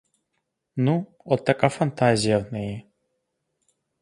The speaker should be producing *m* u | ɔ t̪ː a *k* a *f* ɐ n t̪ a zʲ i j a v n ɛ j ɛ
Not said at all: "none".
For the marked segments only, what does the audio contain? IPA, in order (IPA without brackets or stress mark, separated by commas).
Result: n, k, f